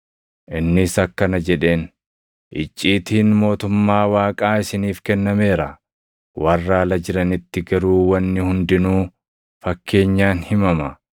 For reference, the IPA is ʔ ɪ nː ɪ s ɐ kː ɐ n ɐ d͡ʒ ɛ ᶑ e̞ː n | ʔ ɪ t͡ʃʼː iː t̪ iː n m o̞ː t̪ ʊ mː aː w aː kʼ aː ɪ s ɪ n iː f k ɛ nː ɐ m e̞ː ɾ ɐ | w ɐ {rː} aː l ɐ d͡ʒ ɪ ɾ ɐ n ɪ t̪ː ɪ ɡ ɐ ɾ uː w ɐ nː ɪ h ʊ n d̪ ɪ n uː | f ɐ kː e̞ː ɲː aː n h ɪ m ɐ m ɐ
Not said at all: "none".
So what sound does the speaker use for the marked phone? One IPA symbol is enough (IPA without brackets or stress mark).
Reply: rː